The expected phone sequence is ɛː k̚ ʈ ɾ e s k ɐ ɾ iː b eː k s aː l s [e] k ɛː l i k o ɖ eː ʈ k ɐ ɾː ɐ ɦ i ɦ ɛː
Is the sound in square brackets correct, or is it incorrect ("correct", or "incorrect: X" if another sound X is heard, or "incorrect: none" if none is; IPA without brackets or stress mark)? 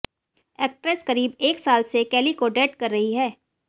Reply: correct